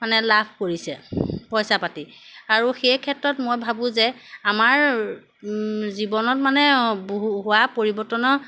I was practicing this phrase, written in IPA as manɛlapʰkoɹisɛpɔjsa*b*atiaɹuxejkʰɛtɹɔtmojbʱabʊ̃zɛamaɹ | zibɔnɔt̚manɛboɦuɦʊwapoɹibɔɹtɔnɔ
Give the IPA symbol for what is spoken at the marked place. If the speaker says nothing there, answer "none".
p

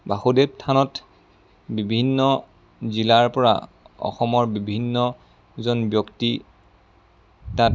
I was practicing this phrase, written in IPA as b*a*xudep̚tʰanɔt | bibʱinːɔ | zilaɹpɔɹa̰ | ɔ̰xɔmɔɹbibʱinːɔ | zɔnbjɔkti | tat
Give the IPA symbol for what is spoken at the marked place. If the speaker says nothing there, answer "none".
a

